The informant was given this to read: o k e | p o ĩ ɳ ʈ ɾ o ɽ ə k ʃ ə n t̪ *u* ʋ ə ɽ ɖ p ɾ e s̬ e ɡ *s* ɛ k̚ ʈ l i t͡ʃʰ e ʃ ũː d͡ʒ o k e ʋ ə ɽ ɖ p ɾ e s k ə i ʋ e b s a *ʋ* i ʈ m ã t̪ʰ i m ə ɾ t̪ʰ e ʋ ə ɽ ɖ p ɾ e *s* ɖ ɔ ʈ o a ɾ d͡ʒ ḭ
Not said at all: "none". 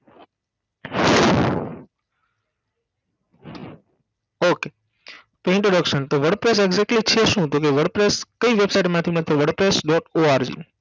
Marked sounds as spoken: o, z, none, s

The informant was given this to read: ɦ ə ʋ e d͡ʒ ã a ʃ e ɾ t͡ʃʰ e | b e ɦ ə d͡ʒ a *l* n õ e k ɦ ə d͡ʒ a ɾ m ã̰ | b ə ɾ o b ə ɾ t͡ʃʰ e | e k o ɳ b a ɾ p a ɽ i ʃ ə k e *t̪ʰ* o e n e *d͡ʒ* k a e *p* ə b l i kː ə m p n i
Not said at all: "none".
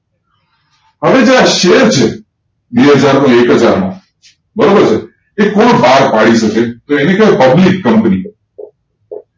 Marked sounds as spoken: ɾ, t̪, none, p

